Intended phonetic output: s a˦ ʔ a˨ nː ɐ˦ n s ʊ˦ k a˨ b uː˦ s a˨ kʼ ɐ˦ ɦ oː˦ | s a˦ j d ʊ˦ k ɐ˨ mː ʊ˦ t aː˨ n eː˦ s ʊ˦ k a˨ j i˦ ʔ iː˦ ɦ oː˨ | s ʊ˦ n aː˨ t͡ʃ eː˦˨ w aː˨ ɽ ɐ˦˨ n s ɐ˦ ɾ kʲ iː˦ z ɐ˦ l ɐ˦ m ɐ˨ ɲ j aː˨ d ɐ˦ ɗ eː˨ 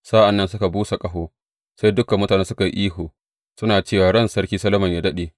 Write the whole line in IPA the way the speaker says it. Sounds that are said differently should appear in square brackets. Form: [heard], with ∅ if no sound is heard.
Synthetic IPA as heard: s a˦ ʔ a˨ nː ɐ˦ n s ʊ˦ k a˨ b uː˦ s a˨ kʼ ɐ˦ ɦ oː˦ | s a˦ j d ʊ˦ k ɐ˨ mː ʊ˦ t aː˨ n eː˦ s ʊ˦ k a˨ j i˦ ʔ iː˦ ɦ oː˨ | s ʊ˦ n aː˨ t͡ʃ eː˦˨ w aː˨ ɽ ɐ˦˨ n s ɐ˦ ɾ kʲ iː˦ [s] ɐ˦ l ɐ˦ m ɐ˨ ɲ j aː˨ d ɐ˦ ɗ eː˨